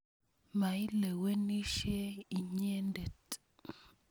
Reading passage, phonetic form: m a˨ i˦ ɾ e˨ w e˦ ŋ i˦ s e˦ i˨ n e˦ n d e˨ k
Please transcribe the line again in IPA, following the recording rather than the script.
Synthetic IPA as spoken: m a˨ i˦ l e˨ w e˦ n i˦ ʃ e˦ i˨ ɲ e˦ n d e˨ t